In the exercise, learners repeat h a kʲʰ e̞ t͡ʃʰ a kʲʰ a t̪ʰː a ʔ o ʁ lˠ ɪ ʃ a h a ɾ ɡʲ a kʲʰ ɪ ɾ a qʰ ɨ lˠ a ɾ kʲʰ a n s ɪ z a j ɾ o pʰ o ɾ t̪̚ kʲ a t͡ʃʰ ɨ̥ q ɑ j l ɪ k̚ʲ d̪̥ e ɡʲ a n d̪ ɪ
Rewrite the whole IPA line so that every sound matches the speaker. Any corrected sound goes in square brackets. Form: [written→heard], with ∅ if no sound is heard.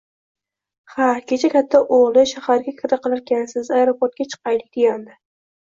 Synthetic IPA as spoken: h a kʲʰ e̞ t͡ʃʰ a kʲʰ a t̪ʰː a ʔ o ʁ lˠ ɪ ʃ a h a ɾ ɡʲ a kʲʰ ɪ ɾ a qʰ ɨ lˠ a ɾ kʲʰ a n s ɪ z a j ɾ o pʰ o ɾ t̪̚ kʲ a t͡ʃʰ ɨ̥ q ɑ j l ɪ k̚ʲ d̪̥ e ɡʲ a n d̪ ɪ